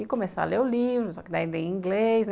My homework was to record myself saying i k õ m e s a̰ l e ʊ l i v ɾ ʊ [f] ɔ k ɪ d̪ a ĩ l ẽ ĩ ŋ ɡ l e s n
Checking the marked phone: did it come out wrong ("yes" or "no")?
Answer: yes